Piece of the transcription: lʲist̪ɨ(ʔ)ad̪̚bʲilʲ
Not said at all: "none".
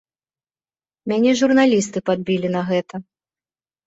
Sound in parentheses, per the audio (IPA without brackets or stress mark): p